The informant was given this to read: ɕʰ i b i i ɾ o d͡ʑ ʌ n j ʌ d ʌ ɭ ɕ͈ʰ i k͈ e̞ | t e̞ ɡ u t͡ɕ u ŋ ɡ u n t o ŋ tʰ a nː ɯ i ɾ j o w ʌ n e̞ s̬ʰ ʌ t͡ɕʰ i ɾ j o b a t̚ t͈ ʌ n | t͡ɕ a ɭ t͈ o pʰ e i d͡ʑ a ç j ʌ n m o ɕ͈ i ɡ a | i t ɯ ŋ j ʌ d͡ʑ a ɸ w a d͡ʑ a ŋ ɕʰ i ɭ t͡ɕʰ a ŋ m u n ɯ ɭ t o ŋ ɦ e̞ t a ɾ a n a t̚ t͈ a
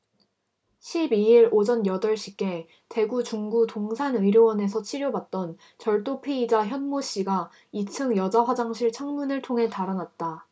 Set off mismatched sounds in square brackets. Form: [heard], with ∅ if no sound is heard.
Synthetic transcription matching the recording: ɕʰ i b i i ɾ o d͡ʑ ʌ n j ʌ d ʌ ɭ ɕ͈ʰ i k͈ e̞ | t e̞ ɡ u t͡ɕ u ŋ ɡ u [∅] t o ŋ [sʰ] a [n] ɯ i ɾ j o w ʌ n e̞ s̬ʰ ʌ t͡ɕʰ i ɾ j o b a t̚ t͈ ʌ n | t͡ɕ [ʌ] ɭ t͈ o pʰ e i d͡ʑ a ç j ʌ n m o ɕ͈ i ɡ a | i [t͡ɕʰ] ɯ ŋ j ʌ d͡ʑ a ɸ w a d͡ʑ a ŋ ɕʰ i ɭ t͡ɕʰ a ŋ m u n ɯ ɭ [tʰ] o ŋ ɦ e̞ t a ɾ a n a t̚ t͈ a